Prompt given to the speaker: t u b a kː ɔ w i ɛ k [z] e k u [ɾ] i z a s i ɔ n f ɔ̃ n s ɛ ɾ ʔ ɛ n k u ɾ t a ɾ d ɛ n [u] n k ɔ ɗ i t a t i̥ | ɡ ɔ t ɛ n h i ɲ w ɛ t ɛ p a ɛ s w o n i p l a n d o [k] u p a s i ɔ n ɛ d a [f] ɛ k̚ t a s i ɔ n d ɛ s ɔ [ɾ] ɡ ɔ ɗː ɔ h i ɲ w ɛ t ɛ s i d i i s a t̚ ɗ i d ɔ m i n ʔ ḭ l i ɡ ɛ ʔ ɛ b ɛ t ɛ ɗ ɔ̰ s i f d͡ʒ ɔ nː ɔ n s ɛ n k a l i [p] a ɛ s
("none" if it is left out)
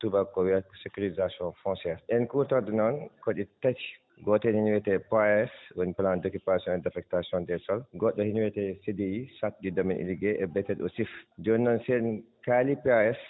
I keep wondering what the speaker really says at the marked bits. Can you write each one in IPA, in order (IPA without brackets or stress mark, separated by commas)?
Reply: s, ɾ, ɔ, k, f, l, p